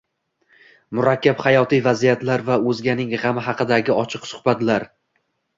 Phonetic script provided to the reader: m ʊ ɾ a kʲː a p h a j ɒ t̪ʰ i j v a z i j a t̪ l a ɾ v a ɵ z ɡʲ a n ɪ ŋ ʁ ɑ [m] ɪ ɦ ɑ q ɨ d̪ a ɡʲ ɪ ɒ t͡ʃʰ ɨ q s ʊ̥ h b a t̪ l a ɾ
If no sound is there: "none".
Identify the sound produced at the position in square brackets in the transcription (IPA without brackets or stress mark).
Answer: m